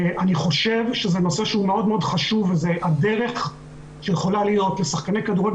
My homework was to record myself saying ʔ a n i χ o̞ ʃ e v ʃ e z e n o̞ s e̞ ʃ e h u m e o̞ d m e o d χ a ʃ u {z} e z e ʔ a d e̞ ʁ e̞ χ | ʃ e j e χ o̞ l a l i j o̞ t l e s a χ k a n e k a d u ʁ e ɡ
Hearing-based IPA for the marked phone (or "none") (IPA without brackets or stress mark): v